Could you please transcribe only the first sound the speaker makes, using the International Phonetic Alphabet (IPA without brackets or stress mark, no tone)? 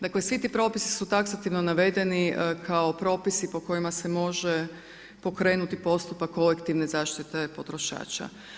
d̪